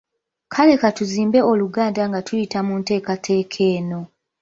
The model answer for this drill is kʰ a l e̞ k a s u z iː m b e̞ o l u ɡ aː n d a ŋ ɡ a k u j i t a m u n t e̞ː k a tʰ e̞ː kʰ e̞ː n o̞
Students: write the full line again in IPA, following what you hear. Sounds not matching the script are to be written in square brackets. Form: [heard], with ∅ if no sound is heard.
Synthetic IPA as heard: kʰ a l e̞ k a [t] u z iː m b e̞ o l u ɡ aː n d a ŋ ɡ a [t] u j i t a m u n t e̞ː k a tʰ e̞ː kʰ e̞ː n o̞